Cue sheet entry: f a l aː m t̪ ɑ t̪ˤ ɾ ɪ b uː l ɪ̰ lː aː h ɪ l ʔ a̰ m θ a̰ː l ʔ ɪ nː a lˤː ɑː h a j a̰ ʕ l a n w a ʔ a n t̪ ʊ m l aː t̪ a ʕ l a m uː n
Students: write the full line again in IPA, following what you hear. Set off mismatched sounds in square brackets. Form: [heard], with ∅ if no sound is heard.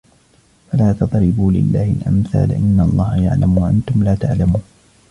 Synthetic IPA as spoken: f a l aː [∅] t̪ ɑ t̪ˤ ɾ ɪ b uː l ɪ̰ lː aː h ɪ l ʔ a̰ m θ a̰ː l ʔ ɪ nː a lˤː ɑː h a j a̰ ʕ l a [m] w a ʔ a n t̪ ʊ m l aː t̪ a ʕ l a m uː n